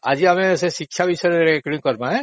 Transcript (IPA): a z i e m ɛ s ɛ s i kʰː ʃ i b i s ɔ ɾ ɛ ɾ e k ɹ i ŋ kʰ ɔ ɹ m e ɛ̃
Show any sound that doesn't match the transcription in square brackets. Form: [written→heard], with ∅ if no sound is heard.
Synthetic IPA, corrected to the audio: a z i [e→a] m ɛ s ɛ s i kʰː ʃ [i→a] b i s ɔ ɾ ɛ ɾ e k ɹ i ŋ [kʰ→k] ɔ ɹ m [e→a] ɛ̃